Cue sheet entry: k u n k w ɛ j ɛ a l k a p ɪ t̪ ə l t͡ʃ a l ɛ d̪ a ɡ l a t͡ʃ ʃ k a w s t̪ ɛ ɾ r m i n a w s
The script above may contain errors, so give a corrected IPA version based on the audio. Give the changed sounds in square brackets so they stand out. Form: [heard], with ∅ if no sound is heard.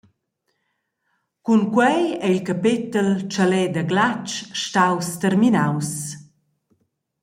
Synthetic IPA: k u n k w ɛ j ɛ [i] l k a p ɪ t̪ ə l t͡ʃ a l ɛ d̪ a ɡ l a t͡ʃ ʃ [t] a w s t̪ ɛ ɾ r m i n a w s

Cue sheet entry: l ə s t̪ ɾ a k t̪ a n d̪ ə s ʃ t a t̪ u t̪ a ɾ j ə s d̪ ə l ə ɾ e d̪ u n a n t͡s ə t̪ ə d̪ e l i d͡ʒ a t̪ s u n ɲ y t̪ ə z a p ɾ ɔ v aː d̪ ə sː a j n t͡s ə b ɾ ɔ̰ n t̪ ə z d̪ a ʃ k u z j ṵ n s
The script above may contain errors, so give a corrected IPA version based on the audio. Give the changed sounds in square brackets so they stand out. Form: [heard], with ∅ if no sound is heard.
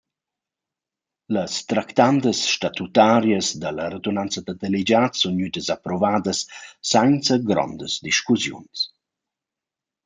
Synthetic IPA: l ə s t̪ ɾ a k t̪ a n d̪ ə s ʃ t a t̪ u t̪ a ɾ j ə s d̪ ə l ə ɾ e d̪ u n a n t͡s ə [d̪] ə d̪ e l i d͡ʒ a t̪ s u n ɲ y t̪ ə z a p ɾ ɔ v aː d̪ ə sː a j n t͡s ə [ɡ] ɾ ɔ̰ n [d̪] ə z d̪ [i] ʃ k u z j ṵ n s

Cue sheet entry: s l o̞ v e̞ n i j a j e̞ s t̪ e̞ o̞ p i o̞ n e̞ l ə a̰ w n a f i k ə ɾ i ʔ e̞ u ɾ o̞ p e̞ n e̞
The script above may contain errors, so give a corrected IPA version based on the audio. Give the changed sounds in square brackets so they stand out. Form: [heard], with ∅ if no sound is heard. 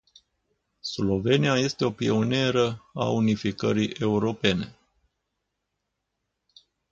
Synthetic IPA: s l o̞ v e̞ n i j a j e̞ s t̪ e̞ o̞ p i o̞ n e̞ [ɾ] ə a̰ [u] n [i] f i k ə ɾ i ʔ e̞ u ɾ o̞ p e̞ n e̞

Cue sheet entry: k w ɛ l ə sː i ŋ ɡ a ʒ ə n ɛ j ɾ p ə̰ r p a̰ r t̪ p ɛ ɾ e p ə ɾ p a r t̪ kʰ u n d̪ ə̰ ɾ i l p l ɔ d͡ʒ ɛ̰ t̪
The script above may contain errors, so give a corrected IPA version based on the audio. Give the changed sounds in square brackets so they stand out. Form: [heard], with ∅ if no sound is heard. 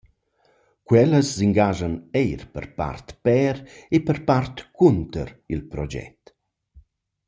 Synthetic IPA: k w ɛ l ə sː i ŋ ɡ a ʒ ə n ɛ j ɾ p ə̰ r p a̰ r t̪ p ɛ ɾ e p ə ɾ p a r t̪ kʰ u n [t̪] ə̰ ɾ i l p [ɾ] ɔ d͡ʒ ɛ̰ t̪

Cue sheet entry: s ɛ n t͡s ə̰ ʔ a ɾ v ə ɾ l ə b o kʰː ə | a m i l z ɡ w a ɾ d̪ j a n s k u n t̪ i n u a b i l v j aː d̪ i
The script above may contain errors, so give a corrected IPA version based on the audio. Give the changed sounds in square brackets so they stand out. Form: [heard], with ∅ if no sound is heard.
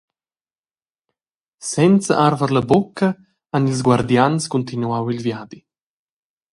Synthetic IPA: s ɛ n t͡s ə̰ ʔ a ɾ v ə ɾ l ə b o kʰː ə | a [n] i l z ɡ w a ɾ d̪ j a n s k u n t̪ i n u a [w] i l v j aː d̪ i

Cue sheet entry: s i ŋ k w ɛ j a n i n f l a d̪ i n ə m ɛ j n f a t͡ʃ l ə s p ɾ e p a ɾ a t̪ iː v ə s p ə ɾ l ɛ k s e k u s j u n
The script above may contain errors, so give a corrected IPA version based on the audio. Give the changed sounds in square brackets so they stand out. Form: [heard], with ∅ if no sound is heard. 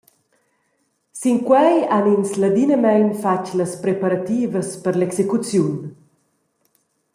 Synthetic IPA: s i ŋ k w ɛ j a n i n [s] l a d̪ i n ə m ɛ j n f a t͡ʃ l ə s p ɾ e p a ɾ a t̪ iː v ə s p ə ɾ l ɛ k s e k u [t͡s] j u n

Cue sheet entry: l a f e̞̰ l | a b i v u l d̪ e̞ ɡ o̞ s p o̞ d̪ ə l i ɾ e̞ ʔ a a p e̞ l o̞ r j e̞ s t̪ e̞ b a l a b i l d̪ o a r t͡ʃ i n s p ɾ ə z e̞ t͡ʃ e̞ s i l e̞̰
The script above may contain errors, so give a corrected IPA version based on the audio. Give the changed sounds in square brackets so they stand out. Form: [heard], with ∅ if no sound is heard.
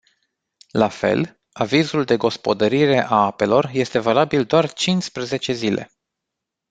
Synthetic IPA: l a f e̞̰ l | a [v] i [z] u l d̪ e̞ ɡ o̞ s p o̞ d̪ ə [ɾ] i ɾ e̞ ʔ a a p e̞ l o̞ r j e̞ s t̪ e̞ [v] a l a b i l d̪ o a r t͡ʃ i n s p ɾ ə z e̞ t͡ʃ e̞ [z] i l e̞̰

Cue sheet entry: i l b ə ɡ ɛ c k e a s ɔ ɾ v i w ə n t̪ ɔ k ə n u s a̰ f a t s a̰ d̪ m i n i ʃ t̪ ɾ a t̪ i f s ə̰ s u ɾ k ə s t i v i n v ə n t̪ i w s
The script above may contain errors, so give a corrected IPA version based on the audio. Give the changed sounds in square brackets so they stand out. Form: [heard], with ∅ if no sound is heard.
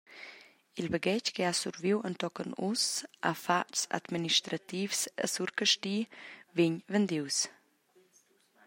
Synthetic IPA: i l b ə ɡ ɛ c k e a s [u] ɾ v i w ə n t̪ ɔ k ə n u s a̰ f a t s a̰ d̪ m i n i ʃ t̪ ɾ a t̪ i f s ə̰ s u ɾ k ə [ʃ] t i v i [ɲ] v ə n [d̪] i w s

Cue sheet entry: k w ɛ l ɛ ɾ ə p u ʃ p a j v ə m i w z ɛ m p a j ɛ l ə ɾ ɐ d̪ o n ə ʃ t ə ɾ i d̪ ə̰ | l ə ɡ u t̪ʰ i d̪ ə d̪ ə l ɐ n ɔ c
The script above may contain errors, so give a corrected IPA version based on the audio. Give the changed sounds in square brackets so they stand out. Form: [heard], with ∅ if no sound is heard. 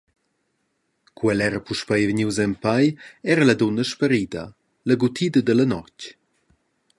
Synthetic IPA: k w ɛ l ɛ ɾ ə p u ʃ p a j v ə [ɲ] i w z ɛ m p a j ɛ [ɾ] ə [l] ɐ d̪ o n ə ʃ [p] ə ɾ i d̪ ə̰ | l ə ɡ u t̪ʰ i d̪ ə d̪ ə l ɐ n ɔ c

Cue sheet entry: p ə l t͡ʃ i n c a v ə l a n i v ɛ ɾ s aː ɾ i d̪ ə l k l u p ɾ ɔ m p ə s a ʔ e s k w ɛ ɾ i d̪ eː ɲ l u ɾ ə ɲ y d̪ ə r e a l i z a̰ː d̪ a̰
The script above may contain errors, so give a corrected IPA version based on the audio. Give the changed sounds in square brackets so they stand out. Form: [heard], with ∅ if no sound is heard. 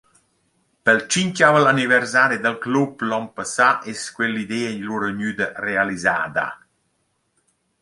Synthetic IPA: p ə l t͡ʃ i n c a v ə l a n i v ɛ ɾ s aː ɾ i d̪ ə l k l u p [l] ɔ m p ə s a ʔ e s k w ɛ [l] i d̪ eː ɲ l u ɾ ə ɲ y d̪ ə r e a l i z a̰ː d̪ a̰

